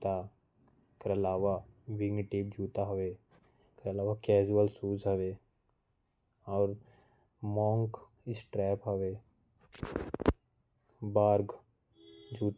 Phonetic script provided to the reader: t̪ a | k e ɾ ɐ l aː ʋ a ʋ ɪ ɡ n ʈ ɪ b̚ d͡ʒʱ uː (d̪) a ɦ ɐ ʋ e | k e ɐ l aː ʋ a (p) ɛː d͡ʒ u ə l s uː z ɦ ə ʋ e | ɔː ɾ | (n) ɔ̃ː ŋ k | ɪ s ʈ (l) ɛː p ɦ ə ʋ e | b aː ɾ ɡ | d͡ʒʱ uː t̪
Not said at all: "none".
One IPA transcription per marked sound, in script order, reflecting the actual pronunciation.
t̪, k, m, ɾ

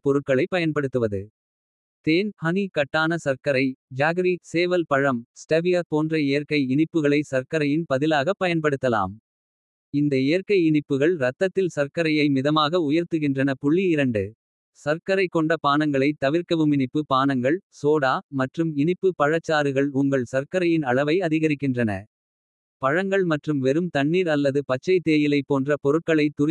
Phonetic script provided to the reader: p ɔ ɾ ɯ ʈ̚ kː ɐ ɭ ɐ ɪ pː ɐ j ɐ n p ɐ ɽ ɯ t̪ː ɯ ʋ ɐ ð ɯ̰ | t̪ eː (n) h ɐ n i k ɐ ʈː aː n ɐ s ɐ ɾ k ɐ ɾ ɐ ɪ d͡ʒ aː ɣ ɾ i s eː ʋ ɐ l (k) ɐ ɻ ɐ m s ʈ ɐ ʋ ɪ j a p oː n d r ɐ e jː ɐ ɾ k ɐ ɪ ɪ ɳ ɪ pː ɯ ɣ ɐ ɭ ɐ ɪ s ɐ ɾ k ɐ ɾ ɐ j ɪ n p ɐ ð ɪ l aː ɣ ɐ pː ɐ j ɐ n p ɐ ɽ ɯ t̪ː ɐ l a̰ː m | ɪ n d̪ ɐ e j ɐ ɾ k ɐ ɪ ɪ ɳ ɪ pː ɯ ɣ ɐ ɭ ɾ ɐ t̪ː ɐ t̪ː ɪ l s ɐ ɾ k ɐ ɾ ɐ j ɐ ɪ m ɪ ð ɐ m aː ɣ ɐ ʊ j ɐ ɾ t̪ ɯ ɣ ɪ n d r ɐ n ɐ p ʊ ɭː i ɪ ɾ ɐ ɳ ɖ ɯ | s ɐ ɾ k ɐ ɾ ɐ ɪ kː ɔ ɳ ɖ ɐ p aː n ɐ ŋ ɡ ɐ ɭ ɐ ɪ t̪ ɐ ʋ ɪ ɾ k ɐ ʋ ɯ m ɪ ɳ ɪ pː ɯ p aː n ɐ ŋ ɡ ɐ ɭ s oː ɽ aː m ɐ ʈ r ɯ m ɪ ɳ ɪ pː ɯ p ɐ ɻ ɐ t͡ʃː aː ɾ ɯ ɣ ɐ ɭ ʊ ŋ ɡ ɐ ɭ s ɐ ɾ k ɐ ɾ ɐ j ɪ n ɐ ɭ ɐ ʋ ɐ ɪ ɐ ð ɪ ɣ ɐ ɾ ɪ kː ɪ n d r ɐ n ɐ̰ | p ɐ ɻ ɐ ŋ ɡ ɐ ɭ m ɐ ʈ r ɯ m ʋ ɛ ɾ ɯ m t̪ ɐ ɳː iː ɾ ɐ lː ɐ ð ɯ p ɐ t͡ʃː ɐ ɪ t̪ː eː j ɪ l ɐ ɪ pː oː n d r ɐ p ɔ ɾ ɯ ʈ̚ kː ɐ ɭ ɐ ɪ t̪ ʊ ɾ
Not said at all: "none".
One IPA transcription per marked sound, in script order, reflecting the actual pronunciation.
n, p

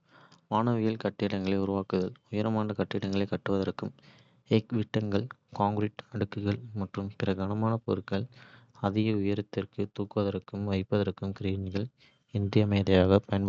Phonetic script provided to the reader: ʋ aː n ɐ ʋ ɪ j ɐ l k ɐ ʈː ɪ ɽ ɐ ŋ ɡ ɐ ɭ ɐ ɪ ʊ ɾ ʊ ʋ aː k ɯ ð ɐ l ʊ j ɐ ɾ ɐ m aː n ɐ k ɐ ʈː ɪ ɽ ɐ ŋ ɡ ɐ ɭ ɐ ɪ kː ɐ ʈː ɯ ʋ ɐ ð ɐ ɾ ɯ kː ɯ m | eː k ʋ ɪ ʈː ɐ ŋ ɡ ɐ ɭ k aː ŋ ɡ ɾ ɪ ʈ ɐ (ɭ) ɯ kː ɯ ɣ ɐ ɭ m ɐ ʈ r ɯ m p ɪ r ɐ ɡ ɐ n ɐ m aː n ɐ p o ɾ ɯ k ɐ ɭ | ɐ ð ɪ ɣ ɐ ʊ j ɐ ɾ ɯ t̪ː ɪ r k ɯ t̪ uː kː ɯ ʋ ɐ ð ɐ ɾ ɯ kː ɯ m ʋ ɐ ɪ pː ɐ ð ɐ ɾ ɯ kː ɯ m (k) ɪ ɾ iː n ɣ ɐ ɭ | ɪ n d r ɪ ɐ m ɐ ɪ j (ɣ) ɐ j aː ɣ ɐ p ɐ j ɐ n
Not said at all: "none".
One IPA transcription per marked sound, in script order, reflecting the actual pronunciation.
ɽ, k, ð

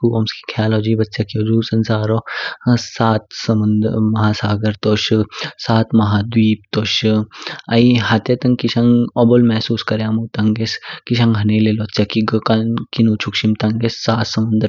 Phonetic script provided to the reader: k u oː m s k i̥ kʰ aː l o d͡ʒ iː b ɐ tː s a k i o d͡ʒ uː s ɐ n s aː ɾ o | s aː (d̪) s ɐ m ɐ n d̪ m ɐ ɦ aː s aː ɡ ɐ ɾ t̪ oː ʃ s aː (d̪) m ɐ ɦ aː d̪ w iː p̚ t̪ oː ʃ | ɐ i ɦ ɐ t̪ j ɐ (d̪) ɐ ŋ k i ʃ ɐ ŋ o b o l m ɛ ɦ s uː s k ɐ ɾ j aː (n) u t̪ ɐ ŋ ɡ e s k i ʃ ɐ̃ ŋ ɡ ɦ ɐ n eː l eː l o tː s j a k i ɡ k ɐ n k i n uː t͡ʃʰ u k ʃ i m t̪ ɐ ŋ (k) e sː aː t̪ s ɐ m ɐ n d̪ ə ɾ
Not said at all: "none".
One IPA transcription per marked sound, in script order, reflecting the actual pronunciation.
t̪, t̪, t̪, m, ɡ

